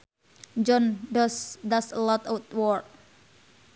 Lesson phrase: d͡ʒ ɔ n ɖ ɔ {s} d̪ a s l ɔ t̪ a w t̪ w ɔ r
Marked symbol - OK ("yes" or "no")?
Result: yes